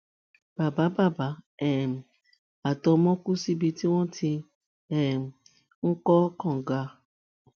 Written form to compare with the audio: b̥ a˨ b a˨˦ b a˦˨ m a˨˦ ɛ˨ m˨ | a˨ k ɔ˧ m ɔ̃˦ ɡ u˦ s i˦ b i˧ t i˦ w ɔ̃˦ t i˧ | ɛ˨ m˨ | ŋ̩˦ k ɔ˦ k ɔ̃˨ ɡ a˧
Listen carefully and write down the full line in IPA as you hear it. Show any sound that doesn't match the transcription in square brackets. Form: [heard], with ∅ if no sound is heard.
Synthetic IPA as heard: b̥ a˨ b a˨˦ b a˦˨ [b] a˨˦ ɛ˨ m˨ | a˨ [t] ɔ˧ m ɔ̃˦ [k] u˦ s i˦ b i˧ t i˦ w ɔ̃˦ t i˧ | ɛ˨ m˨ | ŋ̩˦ k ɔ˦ k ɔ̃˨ ɡ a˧